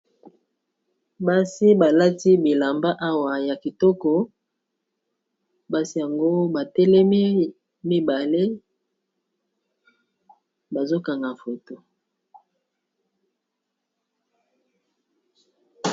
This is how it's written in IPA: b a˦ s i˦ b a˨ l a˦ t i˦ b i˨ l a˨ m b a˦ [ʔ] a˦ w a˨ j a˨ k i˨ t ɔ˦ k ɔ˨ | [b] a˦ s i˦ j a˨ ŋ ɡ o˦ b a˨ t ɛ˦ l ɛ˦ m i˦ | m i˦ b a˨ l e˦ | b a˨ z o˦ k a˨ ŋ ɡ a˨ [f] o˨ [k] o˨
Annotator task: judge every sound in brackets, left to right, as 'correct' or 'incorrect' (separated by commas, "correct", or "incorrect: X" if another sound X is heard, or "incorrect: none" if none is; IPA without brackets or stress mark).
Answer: correct, correct, correct, incorrect: t